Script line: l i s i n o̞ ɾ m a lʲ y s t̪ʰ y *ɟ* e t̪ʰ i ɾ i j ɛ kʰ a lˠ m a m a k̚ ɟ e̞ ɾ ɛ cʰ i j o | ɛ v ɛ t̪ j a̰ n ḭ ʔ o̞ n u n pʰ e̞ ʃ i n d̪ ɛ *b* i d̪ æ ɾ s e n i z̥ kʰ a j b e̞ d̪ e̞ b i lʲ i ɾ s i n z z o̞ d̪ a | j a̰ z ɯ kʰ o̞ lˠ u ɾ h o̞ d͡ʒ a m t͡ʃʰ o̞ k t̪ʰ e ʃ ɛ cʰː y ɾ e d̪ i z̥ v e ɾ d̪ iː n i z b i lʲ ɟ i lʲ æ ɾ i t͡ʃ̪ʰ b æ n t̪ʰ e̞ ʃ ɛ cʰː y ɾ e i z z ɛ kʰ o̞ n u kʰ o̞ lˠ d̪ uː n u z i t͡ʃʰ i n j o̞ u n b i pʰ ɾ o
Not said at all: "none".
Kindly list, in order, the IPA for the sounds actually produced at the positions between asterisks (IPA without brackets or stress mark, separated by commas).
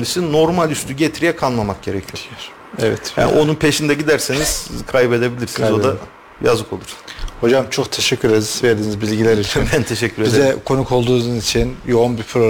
ɟ, ɟ